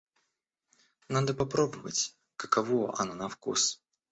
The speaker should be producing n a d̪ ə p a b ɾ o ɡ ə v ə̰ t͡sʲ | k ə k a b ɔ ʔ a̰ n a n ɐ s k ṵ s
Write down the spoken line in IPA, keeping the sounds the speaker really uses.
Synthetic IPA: n a d̪ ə p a p ɾ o b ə v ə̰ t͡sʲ | k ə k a v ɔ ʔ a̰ n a n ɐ f k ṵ s